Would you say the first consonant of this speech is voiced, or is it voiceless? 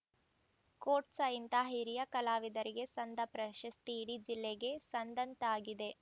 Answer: voiceless